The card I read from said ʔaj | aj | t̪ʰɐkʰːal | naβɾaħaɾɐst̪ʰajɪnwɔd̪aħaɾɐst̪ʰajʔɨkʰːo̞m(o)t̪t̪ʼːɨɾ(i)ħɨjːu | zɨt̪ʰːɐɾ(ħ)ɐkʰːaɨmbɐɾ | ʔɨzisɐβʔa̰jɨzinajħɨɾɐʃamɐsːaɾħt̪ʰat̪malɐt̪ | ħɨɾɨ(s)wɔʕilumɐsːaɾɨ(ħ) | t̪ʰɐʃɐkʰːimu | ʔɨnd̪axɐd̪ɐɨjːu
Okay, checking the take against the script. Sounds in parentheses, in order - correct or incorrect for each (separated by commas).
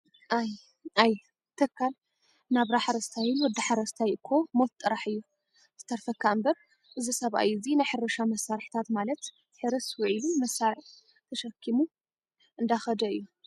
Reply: correct, incorrect, incorrect, correct, correct